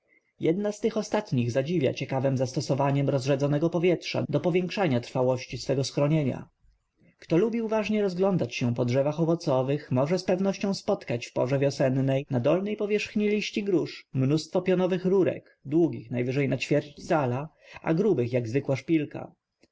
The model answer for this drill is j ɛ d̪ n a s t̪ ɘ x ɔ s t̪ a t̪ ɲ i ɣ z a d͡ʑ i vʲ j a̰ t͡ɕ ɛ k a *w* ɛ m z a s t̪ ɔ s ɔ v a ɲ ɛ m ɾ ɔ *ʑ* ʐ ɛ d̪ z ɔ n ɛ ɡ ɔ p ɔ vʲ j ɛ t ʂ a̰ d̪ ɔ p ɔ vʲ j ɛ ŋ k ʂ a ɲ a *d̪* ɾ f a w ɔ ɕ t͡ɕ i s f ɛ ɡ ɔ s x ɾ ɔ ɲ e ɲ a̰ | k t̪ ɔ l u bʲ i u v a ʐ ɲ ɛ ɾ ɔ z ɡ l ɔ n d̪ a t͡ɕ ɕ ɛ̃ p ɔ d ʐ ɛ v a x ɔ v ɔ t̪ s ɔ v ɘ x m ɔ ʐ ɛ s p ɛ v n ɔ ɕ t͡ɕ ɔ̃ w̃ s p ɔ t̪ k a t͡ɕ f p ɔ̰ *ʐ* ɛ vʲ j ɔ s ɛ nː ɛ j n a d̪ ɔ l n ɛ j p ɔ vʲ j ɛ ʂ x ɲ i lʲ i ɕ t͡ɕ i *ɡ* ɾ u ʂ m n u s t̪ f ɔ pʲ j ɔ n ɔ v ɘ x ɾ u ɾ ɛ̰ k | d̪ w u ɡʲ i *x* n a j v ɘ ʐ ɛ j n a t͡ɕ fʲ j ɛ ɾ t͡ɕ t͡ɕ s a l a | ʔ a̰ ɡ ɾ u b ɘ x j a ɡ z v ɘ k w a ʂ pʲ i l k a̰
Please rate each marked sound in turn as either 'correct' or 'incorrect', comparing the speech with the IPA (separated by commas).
incorrect, incorrect, incorrect, correct, correct, correct